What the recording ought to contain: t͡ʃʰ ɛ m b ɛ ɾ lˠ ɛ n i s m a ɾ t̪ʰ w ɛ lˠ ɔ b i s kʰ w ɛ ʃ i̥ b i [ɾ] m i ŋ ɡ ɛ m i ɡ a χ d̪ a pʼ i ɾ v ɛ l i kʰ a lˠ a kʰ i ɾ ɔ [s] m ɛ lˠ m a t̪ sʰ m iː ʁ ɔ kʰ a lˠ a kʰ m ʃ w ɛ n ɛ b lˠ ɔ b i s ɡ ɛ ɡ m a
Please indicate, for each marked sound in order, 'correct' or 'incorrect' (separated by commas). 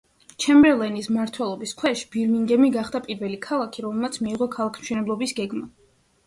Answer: correct, incorrect